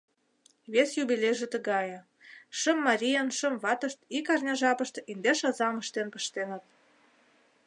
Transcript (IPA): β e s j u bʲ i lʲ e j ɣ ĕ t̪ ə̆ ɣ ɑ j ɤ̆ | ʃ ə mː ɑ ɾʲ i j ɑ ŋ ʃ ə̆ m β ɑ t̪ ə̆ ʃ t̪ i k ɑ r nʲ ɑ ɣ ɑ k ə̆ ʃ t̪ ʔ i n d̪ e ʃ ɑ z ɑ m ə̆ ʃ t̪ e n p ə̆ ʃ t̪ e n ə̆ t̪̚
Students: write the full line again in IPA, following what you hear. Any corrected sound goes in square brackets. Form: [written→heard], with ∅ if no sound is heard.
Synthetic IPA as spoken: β e s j u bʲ i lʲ e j [ɣ→ʒ] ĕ t̪ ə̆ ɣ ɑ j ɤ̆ | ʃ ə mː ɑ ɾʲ i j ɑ [ŋ→n] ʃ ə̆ m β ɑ t̪ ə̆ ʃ t̪ i k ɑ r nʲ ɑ [ɣ→ʒ] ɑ [k→p] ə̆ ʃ t̪ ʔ i n d̪ e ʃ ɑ z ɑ m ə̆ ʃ t̪ e n p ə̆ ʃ t̪ e n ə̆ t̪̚